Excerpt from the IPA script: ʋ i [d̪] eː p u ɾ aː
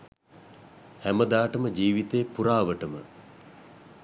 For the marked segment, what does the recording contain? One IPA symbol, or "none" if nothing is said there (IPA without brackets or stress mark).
t̪